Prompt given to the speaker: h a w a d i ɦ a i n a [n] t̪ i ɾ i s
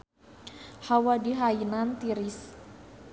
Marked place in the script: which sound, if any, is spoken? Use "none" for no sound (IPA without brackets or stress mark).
n